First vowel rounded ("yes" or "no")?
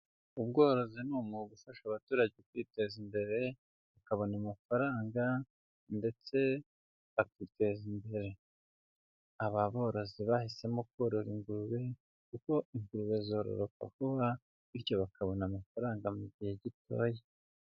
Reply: yes